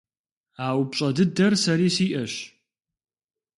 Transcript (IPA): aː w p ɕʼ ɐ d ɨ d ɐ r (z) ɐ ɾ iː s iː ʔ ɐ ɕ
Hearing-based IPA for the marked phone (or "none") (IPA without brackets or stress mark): s